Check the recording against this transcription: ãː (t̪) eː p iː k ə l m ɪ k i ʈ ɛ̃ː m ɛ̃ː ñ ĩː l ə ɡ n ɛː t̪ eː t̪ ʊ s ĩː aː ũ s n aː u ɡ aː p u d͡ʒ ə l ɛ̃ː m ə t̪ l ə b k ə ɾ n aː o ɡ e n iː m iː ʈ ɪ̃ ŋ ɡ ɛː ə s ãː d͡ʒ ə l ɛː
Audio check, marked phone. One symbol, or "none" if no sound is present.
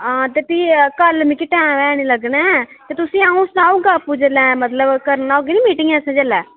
t̪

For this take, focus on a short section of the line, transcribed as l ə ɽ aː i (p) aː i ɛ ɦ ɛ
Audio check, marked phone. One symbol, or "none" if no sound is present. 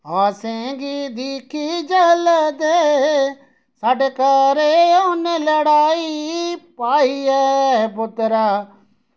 p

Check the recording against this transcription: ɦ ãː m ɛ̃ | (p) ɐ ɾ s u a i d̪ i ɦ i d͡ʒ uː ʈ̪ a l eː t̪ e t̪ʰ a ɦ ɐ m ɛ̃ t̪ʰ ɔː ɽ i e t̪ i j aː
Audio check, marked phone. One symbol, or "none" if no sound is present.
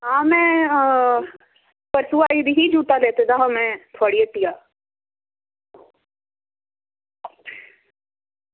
p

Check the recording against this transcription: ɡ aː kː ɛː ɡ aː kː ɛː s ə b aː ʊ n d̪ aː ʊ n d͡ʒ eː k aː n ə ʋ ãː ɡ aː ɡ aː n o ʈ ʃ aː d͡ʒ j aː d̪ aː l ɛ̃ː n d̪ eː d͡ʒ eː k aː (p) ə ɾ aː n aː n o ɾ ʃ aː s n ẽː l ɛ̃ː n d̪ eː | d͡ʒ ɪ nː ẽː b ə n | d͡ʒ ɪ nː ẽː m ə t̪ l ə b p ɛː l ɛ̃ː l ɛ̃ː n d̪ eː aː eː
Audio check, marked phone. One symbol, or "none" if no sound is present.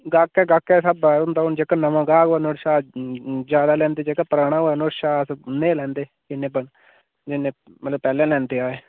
p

